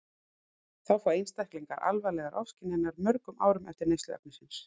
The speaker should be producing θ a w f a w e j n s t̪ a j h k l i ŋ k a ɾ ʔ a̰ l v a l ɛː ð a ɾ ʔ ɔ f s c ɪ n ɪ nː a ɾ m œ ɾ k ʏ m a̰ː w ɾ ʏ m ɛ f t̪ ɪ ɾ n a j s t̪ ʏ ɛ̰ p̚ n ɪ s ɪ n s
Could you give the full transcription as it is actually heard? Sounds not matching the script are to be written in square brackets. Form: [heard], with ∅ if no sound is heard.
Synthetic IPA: θ a w f a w e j n s t̪ a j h k l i ŋ k a ɾ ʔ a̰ l v a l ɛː [ɣ] a ɾ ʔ ɔ f s c ɪ n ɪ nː a ɾ m œ ɾ k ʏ m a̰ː w ɾ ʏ m ɛ f t̪ ɪ ɾ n [e] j s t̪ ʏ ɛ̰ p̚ n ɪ s ɪ n s